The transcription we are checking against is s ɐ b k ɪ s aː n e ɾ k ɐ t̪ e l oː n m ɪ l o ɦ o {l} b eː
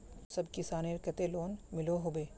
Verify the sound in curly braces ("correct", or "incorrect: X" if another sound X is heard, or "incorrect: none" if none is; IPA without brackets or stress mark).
incorrect: none